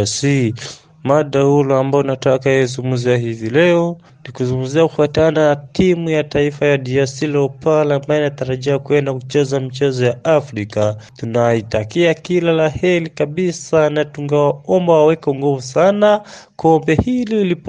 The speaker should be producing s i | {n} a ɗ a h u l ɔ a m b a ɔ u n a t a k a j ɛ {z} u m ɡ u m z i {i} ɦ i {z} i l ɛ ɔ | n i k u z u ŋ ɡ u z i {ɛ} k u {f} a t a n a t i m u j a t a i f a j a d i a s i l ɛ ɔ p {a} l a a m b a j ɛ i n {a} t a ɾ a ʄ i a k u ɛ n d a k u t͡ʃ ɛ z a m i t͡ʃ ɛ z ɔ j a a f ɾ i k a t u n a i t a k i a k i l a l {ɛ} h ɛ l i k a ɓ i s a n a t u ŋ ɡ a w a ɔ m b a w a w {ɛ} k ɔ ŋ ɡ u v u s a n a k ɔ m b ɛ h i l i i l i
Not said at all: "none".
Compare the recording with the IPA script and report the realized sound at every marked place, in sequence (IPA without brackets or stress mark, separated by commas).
m, z, a, v, a, f, a, a, a, ɛ